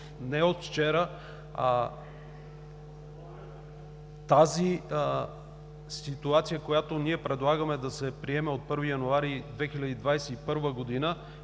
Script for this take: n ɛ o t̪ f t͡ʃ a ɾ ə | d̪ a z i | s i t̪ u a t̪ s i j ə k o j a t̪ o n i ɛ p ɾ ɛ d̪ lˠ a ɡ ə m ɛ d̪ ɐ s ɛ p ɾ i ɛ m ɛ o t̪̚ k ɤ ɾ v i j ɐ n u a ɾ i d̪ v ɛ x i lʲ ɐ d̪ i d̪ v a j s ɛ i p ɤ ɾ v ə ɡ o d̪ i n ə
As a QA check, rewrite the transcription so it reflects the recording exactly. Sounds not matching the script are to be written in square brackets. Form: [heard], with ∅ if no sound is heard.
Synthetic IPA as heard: n ɛ o t̪ f t͡ʃ [ɛ] ɾ ə | [t̪] a z i | s i t̪ u a t̪ s i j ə k o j a t̪ o n i ɛ p ɾ ɛ d̪ lˠ a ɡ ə m ɛ d̪ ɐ s ɛ p ɾ i ɛ m ɛ o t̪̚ [p] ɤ ɾ v i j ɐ n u a ɾ i d̪ v ɛ x i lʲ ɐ d̪ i d̪ v a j s ɛ i p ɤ ɾ v ə ɡ o d̪ i n ə